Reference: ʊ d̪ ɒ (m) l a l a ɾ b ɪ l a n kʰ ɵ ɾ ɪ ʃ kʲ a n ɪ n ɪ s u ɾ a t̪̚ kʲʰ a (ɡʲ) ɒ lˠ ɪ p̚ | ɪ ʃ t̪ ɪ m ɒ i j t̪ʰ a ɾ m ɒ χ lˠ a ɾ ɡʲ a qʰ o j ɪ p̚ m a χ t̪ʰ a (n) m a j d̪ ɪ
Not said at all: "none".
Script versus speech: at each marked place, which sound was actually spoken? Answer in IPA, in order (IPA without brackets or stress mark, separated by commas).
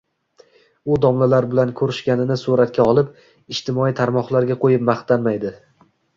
m, none, n